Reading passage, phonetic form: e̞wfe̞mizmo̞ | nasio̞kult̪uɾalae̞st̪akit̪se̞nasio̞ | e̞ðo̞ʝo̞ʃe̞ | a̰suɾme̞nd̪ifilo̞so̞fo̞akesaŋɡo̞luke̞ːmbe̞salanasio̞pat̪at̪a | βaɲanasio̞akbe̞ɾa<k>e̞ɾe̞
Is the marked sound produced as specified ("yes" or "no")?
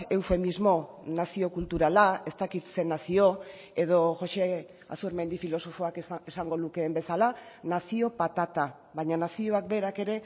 yes